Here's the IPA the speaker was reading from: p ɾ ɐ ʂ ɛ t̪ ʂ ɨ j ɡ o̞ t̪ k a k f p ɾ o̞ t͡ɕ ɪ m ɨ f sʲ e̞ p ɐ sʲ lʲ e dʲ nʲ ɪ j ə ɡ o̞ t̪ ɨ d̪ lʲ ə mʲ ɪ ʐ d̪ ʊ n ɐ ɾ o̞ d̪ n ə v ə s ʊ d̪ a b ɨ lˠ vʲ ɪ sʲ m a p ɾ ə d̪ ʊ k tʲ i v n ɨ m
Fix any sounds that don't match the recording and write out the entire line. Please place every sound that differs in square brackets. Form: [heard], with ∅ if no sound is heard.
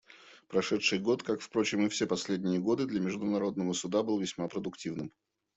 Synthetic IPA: p ɾ ɐ ʂ ɛ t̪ ʂ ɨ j ɡ o̞ t̪ k a k f p ɾ o̞ t͡ɕ ɪ m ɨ f sʲ e̞ p ɐ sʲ lʲ e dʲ nʲ ɪ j ə ɡ o̞ [d̪] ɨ d̪ lʲ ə mʲ ɪ ʐ d̪ ʊ n ɐ ɾ o̞ d̪ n ə v ə s ʊ d̪ a b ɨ lˠ vʲ ɪ sʲ m a p ɾ ə d̪ ʊ k tʲ i v n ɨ m